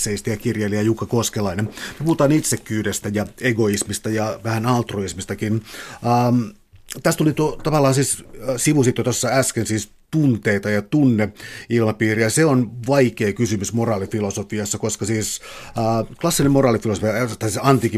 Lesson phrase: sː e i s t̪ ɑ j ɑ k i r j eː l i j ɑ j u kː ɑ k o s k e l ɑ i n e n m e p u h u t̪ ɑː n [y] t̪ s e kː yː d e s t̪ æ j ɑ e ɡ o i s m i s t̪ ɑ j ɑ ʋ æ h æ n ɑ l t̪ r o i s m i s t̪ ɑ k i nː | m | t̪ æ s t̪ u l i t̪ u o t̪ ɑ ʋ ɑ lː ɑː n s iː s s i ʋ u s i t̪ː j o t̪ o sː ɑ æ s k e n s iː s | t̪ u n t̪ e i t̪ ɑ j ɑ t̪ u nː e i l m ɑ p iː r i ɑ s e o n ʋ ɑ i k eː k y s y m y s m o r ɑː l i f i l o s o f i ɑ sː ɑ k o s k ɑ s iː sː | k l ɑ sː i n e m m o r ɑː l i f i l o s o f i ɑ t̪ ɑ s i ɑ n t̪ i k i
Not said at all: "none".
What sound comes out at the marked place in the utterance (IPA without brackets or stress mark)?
i